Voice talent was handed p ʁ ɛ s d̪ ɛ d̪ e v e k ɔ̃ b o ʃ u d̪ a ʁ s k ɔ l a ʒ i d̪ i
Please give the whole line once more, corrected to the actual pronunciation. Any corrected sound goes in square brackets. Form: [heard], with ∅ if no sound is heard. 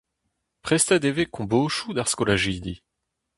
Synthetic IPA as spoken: p [χ] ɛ s [t̪] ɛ d̪ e v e k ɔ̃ b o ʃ u d̪ a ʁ s k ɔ l a ʒ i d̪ i